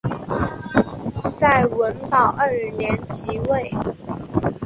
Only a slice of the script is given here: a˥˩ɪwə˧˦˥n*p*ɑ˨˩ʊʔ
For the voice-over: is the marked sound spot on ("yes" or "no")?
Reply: yes